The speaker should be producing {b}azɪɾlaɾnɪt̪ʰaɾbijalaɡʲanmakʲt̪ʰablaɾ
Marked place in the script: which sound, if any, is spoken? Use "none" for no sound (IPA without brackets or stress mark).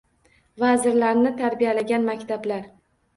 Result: v